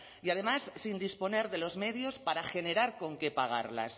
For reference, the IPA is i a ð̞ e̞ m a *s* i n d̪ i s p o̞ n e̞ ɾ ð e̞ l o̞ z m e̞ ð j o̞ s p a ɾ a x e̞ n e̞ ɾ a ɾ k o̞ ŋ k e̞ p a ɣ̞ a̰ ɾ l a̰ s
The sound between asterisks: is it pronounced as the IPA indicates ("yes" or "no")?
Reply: no